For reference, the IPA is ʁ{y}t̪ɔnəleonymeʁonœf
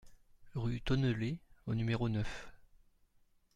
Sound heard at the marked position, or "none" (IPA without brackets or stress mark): y